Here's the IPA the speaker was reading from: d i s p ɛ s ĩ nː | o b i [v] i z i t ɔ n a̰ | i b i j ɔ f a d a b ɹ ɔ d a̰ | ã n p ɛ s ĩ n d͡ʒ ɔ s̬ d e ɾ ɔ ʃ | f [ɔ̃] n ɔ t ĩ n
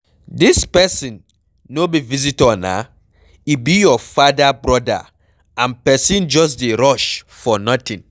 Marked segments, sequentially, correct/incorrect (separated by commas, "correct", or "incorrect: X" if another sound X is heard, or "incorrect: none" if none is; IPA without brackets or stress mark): correct, incorrect: ɔ